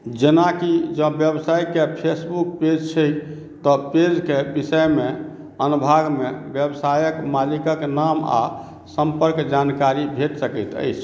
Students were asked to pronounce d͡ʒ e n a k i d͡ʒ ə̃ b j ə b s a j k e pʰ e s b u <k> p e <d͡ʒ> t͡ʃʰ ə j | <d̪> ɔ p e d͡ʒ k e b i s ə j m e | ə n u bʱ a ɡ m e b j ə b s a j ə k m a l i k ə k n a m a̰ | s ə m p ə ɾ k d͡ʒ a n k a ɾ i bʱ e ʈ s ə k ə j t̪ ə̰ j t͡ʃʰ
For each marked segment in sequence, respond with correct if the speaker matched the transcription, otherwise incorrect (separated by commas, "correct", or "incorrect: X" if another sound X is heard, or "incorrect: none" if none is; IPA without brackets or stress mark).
correct, correct, incorrect: t̪